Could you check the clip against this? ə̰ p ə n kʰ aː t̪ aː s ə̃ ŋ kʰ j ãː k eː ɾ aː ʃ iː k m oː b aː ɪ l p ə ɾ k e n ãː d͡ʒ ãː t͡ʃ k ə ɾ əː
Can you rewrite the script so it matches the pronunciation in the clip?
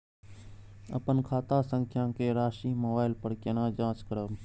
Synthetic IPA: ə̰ p ə n kʰ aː t̪ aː s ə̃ ŋ kʰ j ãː k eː ɾ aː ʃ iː m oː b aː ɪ l p ə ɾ k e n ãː d͡ʒ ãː t͡ʃ k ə ɾ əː